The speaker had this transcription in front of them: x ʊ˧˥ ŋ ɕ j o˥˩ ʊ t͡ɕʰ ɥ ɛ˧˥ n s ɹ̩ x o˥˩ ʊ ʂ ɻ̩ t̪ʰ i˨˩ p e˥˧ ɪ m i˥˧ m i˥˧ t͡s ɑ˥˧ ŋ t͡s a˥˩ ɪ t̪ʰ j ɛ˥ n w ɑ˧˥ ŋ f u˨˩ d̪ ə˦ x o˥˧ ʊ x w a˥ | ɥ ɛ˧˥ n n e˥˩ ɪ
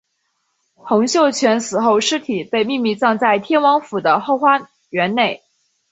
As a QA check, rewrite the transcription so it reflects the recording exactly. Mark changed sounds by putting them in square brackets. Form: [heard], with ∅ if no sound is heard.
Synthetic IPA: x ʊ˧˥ ŋ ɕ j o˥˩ ʊ t͡ɕʰ ɥ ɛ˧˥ n s ɹ̩ x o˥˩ ʊ ʂ ɻ̩ t̪ʰ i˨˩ p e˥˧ ɪ m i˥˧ m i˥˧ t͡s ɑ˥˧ ŋ t͡s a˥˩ ɪ t̪ʰ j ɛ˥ n w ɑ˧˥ ŋ f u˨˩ d̪ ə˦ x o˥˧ ʊ x w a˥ | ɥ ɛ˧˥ n n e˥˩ ɪ